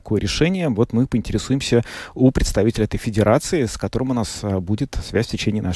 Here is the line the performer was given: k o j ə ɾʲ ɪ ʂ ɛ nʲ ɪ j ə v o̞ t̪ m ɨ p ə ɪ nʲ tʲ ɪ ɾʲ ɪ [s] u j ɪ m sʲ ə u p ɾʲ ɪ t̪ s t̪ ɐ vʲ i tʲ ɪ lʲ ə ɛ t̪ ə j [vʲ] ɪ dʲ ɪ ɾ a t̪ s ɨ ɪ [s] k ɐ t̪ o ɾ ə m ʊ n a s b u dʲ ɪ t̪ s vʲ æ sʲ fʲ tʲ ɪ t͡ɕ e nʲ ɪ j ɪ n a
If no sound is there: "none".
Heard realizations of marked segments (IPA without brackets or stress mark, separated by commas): s, fʲ, s